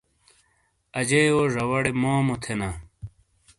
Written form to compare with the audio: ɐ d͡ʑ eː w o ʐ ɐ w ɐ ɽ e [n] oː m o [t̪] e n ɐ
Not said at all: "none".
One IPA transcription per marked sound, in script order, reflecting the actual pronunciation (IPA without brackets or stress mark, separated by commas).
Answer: m, t̪ʰ